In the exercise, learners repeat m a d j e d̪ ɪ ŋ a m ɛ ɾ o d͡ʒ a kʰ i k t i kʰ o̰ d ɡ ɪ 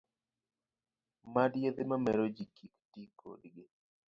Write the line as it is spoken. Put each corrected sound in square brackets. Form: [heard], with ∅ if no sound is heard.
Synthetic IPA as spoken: m a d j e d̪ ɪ [m] a m ɛ ɾ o d͡ʒ [i] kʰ i k t i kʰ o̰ d ɡ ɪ